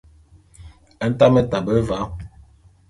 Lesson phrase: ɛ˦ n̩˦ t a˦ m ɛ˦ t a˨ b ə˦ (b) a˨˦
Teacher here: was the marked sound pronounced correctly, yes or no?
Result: no